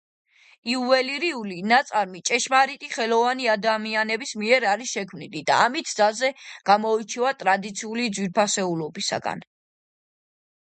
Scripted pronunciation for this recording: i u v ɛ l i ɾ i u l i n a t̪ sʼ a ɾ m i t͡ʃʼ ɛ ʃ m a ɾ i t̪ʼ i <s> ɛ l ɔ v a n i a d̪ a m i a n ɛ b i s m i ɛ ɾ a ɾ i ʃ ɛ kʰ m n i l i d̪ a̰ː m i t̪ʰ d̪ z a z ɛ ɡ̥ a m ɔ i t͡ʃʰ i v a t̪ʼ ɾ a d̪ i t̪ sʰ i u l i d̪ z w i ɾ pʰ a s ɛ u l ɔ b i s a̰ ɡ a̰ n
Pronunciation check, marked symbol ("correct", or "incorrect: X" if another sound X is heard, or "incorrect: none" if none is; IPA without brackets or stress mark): incorrect: χ